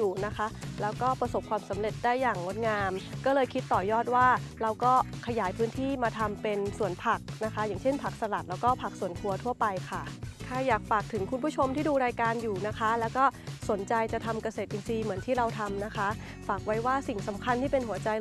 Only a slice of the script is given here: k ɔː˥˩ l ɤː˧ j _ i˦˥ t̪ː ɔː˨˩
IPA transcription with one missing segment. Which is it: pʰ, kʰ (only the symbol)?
kʰ